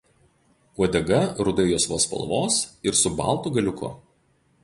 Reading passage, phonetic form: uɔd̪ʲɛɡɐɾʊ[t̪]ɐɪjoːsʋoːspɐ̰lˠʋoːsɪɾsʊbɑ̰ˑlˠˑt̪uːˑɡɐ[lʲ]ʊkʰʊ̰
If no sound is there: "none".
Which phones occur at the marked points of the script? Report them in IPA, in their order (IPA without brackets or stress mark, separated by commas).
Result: d̪, lʲ